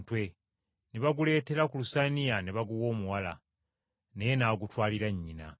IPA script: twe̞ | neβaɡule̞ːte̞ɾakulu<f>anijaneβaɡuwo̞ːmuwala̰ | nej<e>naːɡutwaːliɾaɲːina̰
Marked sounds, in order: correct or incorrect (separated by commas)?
incorrect, correct